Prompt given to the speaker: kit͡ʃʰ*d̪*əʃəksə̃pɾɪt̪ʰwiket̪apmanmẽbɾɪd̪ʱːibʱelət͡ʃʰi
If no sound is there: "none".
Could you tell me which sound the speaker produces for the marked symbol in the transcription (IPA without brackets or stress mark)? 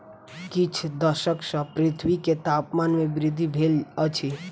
d̪